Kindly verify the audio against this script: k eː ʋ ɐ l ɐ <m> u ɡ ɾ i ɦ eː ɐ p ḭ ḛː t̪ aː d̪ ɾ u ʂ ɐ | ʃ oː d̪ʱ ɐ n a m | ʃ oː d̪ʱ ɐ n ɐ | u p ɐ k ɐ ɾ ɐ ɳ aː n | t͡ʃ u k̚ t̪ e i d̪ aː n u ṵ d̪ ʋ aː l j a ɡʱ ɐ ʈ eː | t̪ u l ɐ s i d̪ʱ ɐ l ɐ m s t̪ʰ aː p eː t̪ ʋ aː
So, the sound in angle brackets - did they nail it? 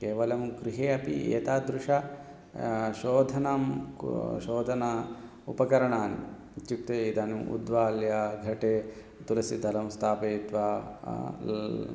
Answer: yes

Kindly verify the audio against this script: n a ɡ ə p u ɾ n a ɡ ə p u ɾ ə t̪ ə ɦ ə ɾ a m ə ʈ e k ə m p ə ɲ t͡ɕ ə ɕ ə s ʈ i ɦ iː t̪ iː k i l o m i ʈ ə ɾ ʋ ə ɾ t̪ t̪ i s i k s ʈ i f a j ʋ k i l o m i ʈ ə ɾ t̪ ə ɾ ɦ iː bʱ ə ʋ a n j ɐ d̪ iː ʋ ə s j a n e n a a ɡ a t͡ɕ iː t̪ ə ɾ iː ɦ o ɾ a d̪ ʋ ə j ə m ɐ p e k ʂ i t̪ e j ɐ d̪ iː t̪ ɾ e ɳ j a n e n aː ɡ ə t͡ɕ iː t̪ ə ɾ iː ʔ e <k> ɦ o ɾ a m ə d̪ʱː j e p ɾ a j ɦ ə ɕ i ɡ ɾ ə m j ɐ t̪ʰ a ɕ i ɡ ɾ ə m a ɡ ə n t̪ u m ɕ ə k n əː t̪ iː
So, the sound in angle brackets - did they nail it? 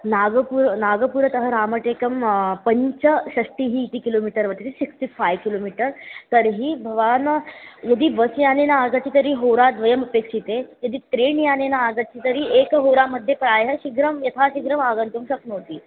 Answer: yes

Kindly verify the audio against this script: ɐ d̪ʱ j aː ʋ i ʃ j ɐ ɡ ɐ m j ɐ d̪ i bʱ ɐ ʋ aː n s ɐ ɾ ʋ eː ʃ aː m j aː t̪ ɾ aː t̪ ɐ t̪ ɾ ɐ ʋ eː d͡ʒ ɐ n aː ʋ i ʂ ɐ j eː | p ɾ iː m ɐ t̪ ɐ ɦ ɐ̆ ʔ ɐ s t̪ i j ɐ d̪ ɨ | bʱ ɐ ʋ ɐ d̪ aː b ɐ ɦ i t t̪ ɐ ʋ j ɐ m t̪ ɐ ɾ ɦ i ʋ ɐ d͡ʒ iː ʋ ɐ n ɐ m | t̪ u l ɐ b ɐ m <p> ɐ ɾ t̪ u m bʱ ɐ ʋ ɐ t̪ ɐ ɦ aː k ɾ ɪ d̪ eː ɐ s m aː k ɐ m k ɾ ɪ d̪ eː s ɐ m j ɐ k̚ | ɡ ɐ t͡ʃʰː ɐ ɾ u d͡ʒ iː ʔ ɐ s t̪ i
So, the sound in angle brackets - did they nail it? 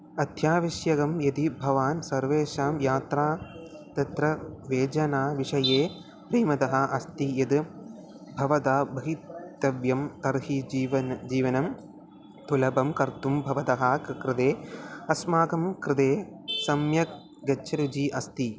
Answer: no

